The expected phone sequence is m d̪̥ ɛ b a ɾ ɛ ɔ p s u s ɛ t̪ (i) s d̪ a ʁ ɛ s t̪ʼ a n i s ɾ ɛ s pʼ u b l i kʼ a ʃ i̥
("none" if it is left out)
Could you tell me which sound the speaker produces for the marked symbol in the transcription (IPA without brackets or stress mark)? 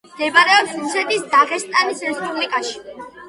i